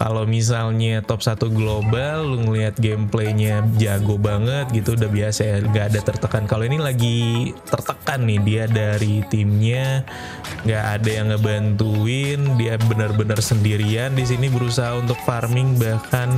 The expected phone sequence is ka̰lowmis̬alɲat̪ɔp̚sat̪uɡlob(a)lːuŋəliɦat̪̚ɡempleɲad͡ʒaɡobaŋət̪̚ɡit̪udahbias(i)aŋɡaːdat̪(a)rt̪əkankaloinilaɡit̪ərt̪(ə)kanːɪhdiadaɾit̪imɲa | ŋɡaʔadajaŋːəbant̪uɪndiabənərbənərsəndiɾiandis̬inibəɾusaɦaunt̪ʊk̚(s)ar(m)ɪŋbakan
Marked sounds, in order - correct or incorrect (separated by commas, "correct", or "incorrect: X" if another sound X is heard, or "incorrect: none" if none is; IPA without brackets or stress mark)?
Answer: correct, incorrect: a, incorrect: ə, correct, incorrect: f, correct